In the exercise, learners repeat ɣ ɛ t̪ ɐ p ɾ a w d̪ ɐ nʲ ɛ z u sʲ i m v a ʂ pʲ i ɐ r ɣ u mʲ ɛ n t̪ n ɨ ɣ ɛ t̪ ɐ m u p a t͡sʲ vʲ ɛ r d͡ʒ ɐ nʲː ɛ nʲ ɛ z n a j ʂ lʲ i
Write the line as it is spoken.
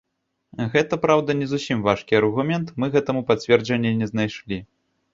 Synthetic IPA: ɣ ɛ t̪ ɐ p ɾ a w d̪ ɐ nʲ ɛ z u sʲ i m v a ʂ kʲ i ɐ r ɣ u mʲ ɛ n t̪ m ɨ ɣ ɛ t̪ ɐ m u p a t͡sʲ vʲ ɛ r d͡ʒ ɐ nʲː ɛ nʲ ɛ z n a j ʂ lʲ i